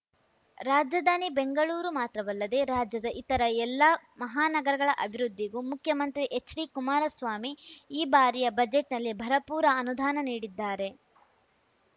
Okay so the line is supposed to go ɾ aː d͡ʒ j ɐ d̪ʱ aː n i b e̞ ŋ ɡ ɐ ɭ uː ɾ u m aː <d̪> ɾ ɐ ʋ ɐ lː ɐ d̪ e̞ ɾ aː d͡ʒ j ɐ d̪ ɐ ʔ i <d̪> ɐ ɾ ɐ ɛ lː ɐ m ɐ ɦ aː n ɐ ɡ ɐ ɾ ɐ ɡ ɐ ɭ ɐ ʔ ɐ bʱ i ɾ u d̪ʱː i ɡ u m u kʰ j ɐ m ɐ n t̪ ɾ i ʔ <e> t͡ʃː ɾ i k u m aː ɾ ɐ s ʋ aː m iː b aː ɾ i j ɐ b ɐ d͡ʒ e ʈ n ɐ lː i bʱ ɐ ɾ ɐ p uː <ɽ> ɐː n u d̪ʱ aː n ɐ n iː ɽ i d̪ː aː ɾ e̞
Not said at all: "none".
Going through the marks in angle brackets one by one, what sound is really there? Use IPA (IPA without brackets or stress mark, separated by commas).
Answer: t̪, t̪, e, ɾ